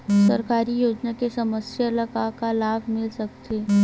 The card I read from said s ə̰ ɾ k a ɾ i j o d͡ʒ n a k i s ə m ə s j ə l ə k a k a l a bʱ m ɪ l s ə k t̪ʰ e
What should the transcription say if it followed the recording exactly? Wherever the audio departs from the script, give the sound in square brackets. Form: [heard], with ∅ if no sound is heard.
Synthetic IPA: s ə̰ ɾ k a ɾ i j o d͡ʒ n a k [e] s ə m ə s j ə l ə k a k a l a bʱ m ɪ l s ə k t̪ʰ e